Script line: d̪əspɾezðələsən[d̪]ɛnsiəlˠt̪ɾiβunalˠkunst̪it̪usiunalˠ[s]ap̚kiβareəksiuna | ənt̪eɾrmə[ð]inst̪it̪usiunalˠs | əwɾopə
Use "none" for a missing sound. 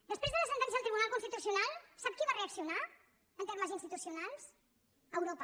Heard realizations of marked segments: t̪, s, z

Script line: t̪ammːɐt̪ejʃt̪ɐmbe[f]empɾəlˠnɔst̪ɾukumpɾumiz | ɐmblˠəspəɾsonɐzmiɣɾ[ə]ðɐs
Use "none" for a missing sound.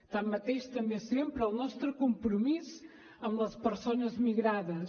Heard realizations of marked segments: s, a

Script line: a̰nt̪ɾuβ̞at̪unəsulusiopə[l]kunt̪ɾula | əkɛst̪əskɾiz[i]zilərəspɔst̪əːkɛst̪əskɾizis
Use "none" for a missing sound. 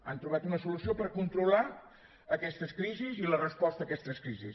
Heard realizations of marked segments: ɾ, i

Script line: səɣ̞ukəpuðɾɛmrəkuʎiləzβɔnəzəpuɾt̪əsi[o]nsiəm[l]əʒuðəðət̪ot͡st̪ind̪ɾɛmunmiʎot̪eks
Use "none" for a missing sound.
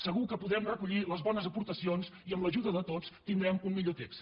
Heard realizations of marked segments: o, l

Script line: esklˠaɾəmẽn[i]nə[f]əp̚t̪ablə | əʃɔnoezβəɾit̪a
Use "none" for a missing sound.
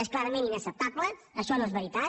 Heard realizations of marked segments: i, s

